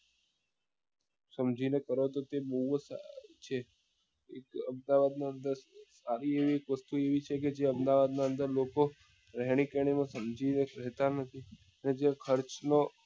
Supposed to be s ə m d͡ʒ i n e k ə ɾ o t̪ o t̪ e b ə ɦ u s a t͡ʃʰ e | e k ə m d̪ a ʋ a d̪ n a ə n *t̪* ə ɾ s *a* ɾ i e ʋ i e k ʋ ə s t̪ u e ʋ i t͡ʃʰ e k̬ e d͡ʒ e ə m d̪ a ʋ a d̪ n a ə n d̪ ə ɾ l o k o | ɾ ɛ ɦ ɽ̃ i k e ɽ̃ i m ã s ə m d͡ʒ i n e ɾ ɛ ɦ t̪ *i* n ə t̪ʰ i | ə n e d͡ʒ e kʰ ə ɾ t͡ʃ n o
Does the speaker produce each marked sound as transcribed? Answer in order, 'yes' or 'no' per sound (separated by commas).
no, yes, no